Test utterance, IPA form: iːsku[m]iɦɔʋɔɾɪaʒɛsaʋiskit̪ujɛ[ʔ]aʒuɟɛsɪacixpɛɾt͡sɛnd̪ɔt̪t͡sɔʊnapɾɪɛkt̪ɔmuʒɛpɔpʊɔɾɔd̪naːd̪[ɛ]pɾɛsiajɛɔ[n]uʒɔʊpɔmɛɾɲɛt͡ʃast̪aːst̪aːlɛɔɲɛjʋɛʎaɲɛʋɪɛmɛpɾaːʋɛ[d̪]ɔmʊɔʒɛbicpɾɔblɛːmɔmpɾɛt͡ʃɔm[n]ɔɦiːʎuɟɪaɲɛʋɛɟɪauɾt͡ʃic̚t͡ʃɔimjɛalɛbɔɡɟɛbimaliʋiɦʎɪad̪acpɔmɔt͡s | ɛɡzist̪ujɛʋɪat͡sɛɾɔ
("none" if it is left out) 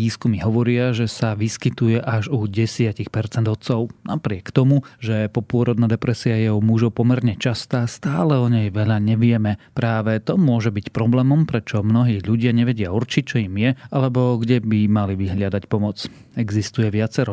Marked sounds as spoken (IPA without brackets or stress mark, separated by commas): m, ʔ, ɛ, m, t̪, n